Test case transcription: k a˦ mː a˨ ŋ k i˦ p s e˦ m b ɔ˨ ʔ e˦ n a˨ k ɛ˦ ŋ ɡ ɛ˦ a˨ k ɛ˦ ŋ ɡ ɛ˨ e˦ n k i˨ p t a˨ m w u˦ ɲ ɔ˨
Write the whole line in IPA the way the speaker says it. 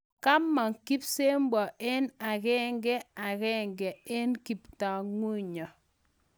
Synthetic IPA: k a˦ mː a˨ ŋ k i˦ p s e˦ m b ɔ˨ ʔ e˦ n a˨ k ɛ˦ ŋ ɡ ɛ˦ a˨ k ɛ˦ ŋ ɡ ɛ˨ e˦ n k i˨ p t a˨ ŋ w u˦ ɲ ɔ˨